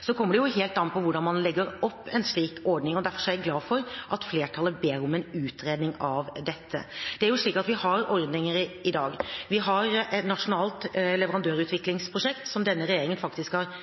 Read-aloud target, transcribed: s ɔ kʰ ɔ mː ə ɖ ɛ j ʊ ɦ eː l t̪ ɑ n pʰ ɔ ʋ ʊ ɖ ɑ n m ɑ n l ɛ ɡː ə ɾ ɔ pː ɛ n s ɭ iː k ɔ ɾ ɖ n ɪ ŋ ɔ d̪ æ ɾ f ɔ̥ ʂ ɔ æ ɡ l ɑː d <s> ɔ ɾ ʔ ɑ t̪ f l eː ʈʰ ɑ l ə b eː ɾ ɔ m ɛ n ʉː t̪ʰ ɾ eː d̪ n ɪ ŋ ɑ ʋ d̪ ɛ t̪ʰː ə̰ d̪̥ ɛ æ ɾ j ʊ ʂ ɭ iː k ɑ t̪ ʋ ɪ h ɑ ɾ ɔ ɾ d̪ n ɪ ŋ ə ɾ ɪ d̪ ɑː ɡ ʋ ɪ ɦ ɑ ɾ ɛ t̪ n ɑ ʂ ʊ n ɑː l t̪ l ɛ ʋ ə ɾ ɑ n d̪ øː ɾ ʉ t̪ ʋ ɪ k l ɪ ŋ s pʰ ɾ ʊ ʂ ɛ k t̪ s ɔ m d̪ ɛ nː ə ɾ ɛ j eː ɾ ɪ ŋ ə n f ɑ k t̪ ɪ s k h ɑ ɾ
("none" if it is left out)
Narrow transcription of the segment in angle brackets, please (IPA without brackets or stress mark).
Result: f